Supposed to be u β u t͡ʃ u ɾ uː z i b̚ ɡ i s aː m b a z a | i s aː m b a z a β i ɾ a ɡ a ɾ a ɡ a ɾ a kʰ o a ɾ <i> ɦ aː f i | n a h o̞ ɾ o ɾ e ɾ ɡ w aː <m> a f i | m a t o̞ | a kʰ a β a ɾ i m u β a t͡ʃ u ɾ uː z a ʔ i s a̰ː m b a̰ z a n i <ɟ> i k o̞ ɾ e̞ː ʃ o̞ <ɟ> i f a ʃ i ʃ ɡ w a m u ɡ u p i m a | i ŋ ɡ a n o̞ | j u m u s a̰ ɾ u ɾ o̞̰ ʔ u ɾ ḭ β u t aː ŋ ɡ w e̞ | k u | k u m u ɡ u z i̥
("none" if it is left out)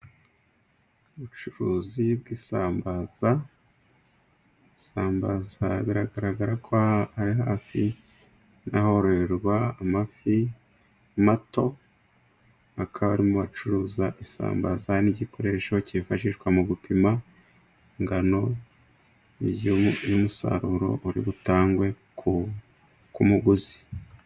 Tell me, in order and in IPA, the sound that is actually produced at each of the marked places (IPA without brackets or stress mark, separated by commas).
i, m, ɟ, c